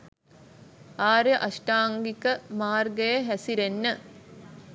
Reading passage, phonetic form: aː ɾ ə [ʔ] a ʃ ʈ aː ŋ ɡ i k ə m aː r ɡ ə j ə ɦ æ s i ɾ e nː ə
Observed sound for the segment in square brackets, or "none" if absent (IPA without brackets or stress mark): ʔ